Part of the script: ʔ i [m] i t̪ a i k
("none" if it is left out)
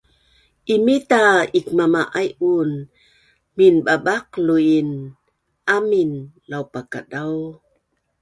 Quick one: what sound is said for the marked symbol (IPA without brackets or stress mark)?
m